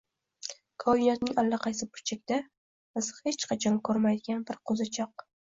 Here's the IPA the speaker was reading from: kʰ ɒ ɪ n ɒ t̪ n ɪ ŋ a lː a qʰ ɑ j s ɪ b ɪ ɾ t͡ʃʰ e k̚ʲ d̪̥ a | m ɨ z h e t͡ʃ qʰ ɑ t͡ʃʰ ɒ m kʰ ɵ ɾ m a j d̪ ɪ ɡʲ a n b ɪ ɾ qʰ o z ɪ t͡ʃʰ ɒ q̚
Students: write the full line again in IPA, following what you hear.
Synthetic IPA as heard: kʰ ɒ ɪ n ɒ t̪ n ɪ ŋ a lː a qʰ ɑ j s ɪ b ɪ ɾ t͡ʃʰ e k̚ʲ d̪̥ a | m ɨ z h e t͡ʃ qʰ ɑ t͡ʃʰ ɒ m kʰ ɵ ɾ m a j d̪ ɪ ɡʲ a n b ɪ ɾ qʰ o z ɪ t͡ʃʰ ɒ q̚